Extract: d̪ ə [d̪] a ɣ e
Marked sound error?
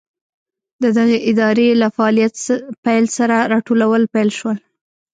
no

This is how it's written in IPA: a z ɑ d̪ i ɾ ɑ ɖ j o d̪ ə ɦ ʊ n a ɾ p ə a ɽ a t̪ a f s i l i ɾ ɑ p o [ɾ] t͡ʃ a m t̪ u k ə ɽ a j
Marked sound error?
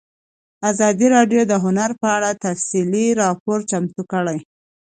no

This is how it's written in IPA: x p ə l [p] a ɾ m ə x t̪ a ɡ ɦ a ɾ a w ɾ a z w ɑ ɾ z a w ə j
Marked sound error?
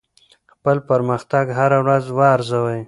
no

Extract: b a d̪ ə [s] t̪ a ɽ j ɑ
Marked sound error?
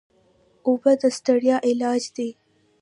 no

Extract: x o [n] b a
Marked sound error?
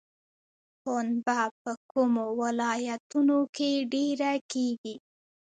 no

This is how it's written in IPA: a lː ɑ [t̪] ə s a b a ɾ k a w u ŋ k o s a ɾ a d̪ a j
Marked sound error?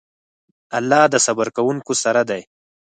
yes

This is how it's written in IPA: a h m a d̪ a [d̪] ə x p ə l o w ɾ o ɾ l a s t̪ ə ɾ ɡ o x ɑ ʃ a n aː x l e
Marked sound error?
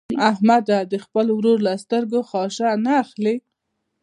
no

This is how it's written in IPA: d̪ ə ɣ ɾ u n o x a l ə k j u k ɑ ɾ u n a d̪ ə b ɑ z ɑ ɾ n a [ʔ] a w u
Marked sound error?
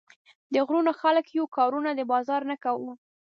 yes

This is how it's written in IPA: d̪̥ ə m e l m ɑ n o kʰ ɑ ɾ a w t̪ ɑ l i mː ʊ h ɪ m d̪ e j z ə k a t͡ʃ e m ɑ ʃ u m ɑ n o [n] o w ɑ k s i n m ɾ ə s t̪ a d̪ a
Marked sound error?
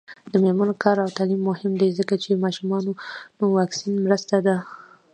no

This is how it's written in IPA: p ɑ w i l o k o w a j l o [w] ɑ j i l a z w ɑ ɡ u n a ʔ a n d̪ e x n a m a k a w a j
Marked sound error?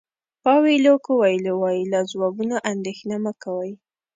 no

